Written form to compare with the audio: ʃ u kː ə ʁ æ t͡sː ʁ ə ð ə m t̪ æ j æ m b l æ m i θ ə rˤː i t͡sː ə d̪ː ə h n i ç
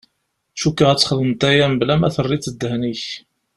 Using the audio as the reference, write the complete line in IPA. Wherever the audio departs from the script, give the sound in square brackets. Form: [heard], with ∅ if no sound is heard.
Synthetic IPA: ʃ u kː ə ʁ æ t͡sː [χ] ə ð ə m t̪ æ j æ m b l æ m [æ] θ ə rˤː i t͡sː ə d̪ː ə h n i ç